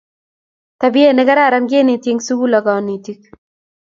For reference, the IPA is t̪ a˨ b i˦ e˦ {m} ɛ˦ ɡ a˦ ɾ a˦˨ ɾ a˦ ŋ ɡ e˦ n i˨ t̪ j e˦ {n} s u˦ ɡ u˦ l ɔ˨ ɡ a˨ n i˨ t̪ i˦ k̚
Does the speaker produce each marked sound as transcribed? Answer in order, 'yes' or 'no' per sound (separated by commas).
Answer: no, no